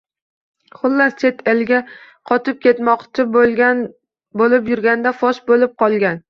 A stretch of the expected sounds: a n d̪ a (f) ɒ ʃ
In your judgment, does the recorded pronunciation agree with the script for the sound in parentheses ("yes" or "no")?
yes